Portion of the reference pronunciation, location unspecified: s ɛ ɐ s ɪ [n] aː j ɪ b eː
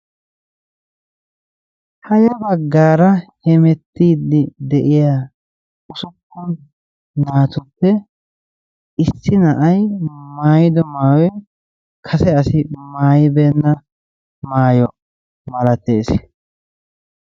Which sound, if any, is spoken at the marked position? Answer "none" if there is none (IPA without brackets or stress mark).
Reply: m